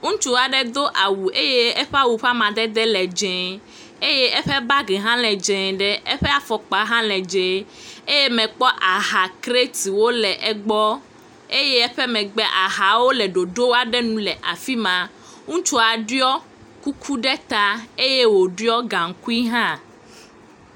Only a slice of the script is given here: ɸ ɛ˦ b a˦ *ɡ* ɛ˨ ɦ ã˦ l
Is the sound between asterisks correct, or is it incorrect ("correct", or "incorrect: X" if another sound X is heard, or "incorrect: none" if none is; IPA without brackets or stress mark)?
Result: correct